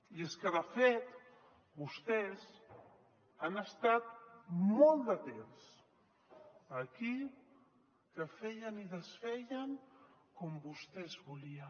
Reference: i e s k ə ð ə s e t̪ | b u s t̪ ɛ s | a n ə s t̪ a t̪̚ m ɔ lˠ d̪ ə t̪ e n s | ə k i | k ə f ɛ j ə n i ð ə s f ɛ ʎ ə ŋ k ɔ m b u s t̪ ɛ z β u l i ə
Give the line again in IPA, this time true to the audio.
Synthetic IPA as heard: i e s k ə ð ə f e t̪ | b u s t̪ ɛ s | a n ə s t̪ a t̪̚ m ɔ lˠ d̪ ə t̪ e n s | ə k i | k ə f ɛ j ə n i ð ə s f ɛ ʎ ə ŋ k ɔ m b u s t̪ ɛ z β u l i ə